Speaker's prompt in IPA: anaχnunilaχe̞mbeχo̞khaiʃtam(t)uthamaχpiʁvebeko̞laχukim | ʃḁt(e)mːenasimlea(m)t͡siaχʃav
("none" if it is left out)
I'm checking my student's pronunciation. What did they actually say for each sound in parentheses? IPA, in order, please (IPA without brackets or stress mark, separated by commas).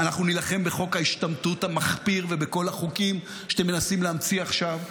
t, e, m